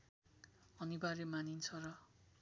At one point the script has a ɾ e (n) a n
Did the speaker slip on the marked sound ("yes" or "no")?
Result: yes